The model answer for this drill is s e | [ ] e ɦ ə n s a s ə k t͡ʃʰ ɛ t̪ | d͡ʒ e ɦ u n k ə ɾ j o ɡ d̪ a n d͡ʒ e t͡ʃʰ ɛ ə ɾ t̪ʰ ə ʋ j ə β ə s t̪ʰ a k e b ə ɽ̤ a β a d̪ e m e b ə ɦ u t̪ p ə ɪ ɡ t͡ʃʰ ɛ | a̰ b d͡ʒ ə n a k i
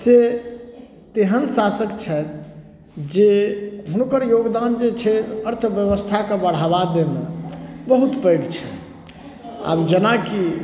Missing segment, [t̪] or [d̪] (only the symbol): t̪